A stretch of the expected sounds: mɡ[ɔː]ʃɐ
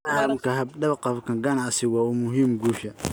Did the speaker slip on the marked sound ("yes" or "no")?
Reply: yes